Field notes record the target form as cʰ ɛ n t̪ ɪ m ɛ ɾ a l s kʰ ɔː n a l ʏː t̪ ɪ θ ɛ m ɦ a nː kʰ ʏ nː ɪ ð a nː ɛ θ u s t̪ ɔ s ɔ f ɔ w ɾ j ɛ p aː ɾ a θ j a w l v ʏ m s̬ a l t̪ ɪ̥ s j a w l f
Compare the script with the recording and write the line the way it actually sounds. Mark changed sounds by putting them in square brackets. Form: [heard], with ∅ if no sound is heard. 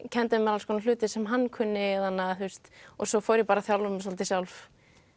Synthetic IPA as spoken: cʰ ɛ n t̪ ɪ m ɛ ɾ a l s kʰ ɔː n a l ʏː t̪ ɪ [s] ɛ m ɦ a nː kʰ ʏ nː ɪ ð a nː [a] θ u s t̪ ɔ s ɔ f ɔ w ɾ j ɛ p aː ɾ a θ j a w l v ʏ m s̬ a l t̪ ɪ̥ s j a w l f